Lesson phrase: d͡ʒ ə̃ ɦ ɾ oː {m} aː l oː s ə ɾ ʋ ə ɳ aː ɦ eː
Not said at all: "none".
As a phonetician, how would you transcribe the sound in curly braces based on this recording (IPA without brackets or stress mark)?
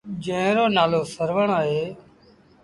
n